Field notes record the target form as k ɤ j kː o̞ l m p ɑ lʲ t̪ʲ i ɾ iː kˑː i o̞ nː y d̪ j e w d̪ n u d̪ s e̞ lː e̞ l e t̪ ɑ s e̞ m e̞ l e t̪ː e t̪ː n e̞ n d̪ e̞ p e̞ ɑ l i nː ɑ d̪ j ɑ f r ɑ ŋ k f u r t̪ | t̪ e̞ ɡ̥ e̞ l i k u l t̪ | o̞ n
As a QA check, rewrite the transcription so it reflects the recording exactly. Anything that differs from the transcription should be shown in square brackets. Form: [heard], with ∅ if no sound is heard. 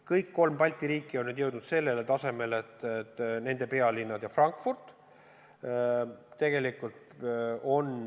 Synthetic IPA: k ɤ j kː o̞ l m p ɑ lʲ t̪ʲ i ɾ iː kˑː i o̞ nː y d̪ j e w d̪ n u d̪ s e̞ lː e̞ l e t̪ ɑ s e̞ m e̞ l e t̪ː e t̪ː n e̞ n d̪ e̞ p e̞ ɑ l i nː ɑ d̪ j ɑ f r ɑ ŋ k f u r t̪ | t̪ e̞ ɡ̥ e̞ l i k u l t̪ | o̞ n